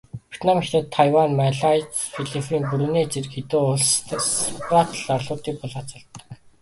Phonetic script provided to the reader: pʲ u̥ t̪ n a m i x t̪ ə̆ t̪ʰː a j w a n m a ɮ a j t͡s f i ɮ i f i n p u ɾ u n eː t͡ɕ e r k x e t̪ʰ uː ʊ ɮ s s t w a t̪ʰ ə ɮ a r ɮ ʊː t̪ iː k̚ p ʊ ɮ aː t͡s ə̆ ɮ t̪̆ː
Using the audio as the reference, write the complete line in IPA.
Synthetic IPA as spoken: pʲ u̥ t̪ n a m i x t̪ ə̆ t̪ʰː a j w a n m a ɮ a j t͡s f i ɮ i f i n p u ɾ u n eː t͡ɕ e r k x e t̪ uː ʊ ɮ s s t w a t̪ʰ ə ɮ a r ɮ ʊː t̪ iː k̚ p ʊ ɮ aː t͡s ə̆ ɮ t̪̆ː